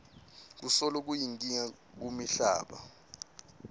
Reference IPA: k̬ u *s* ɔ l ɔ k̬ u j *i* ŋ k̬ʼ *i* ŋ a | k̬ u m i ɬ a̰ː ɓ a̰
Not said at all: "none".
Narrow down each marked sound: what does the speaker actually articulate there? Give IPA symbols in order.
s, i, i

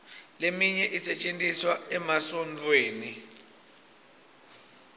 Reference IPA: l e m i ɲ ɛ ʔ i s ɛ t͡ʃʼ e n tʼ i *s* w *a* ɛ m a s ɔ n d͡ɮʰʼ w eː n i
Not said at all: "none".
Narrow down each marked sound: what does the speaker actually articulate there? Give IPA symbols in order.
s, a

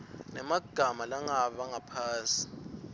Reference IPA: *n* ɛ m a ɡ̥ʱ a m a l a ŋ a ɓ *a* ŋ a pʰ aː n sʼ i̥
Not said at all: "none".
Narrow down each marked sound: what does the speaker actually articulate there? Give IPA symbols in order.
n, a

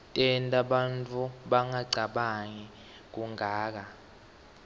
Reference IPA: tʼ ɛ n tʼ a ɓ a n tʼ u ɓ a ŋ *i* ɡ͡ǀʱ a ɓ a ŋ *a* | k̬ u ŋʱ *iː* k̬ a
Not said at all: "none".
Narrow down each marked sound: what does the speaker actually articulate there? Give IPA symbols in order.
a, i, aː

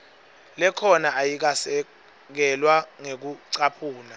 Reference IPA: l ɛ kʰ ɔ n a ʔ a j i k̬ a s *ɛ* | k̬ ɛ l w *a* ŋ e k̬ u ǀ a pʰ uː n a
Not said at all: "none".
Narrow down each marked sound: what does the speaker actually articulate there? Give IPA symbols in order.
ɛ, a

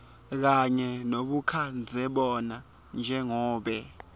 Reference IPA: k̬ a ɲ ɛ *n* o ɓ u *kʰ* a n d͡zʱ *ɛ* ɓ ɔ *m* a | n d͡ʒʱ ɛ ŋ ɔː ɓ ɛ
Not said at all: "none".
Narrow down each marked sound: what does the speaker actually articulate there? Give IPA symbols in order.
n, kʰ, ɛ, n

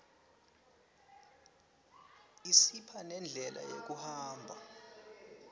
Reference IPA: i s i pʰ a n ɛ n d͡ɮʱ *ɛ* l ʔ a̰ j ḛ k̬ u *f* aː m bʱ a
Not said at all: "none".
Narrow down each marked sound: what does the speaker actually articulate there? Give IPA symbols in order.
ɛ, h

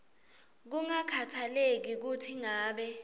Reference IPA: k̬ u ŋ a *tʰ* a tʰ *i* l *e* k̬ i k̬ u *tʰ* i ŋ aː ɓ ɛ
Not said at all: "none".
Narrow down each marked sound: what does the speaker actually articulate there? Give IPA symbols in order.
kʰ, a, e, tʰ

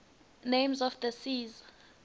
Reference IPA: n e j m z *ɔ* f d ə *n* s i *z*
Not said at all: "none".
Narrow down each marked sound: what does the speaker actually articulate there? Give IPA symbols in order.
ɔ, none, z

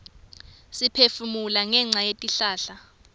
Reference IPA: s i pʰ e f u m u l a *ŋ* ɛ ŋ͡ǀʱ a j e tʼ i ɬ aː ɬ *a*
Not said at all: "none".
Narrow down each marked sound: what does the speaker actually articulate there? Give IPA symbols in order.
ŋ, a

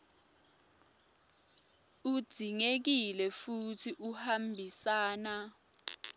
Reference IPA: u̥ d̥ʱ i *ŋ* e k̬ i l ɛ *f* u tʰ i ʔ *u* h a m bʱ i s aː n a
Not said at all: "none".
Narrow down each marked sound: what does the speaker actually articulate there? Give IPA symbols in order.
ŋ, f, u

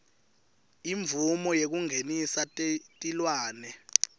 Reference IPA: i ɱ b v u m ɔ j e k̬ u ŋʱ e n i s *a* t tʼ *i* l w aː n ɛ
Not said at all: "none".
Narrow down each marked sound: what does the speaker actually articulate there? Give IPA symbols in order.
a, i

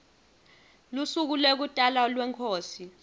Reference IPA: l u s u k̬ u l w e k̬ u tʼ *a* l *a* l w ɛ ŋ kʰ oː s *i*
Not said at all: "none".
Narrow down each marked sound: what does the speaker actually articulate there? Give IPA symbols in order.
a, a, i

